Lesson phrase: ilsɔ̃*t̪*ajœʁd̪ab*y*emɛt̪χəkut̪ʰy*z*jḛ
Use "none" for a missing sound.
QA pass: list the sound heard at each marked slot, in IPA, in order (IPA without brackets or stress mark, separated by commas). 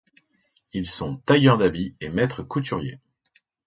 t̪, i, ʁ